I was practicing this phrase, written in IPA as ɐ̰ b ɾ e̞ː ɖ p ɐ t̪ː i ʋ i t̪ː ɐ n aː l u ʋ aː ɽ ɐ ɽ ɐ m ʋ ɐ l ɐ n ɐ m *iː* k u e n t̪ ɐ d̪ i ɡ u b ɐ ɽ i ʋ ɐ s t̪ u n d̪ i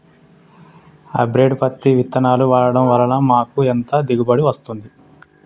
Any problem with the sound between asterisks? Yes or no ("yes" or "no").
yes